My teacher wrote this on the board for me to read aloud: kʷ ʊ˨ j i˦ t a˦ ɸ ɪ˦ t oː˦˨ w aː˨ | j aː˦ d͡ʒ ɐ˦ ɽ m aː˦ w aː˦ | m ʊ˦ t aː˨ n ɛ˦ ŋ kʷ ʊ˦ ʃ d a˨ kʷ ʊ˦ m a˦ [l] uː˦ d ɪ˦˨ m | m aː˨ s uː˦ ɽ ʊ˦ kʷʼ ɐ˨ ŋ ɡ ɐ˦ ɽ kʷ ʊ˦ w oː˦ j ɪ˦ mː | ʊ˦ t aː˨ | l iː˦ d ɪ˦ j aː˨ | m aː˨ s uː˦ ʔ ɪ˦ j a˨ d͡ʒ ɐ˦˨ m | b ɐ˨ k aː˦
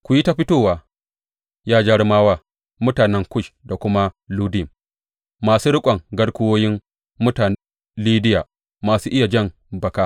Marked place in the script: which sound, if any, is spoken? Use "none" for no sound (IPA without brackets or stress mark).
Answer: l